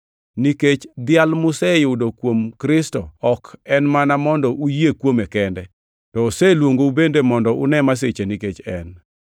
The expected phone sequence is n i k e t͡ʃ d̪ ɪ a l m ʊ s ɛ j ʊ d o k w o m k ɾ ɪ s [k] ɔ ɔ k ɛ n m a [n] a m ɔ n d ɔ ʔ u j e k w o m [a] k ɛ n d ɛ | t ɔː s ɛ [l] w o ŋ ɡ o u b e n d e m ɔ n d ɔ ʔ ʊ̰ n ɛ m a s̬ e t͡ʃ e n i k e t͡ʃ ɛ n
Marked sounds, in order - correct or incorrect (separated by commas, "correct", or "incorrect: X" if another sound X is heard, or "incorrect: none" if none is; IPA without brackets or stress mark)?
incorrect: t, correct, incorrect: e, correct